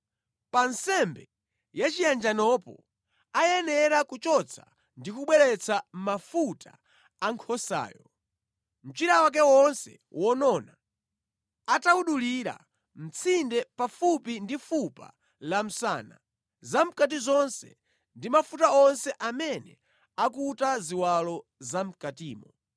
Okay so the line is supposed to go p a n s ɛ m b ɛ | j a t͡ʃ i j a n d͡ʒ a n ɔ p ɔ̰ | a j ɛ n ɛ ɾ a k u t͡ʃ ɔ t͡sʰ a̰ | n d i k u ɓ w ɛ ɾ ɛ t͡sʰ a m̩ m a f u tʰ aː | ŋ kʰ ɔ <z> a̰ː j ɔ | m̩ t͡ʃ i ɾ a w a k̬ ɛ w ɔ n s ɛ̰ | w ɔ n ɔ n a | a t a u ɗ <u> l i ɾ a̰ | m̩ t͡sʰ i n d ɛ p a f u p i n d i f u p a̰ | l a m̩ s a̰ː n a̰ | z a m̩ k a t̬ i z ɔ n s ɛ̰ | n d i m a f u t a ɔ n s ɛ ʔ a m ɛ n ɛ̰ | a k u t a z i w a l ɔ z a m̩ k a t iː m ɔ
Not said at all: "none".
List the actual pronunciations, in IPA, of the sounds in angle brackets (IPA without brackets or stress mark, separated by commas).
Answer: s, u